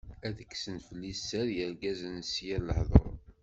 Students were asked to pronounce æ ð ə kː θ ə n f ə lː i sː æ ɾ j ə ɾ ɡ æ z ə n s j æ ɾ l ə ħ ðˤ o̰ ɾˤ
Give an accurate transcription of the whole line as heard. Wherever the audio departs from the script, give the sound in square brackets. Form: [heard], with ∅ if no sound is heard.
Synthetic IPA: æ ð ə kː [s] ə n f ə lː i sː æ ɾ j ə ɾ ɡ æ z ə n s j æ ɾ l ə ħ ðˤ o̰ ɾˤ